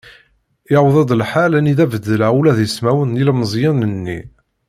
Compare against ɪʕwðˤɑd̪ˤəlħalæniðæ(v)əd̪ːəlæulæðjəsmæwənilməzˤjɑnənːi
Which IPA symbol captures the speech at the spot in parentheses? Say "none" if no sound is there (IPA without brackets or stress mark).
v